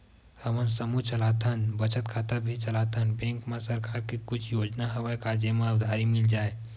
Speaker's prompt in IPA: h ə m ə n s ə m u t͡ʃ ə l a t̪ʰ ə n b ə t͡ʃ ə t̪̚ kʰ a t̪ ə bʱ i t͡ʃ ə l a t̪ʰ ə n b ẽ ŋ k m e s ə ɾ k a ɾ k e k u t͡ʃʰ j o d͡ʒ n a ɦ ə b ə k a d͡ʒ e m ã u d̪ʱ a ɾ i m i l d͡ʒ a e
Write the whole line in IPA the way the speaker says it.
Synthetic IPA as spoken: h ə m ə n s ə m u t͡ʃ ə l a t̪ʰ ə n b ə t͡ʃ ə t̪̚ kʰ a t̪ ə bʱ i t͡ʃ ə l a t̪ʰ ə n b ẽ ŋ k m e s ə ɾ k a ɾ k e k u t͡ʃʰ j o d͡ʒ n a ɦ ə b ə k a d͡ʒ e m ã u d̪ʱ a ɾ i m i l d͡ʒ a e